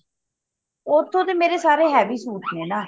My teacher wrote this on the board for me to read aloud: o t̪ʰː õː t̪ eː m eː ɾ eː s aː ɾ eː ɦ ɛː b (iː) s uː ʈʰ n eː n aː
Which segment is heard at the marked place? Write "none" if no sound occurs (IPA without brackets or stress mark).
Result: iː